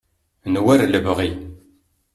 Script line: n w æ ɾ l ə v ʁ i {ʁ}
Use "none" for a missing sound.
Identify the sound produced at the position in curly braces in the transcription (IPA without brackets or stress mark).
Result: none